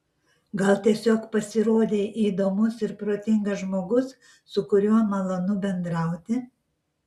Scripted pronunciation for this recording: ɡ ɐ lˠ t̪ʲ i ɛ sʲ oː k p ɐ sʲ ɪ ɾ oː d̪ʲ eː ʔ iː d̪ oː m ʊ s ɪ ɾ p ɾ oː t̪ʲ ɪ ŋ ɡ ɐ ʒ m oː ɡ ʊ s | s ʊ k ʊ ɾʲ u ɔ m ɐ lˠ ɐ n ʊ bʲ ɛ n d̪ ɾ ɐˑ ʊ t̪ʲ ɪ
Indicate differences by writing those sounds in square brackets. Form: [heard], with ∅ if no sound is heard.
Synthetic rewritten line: ɡ ɐ lˠ t̪ʲ i ɛ sʲ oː k p ɐ sʲ ɪ ɾ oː d̪ʲ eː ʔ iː d̪ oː m ʊ s ɪ ɾ p ɾ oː t̪ʲ ɪ ŋ ɡ ɐ ʒ m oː ɡ ʊ s | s ʊ k ʊ ɾʲ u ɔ m ɐ lˠ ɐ n ʊ bʲ ɛ n d̪ ɾ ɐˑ ʊ t̪ʲ ɪ